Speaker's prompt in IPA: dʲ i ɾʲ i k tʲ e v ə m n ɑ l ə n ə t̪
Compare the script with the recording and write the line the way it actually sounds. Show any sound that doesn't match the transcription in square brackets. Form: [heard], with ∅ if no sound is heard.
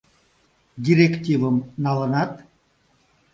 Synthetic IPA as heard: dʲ i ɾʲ [e] k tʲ [i] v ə m n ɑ l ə n [ɑ] t̪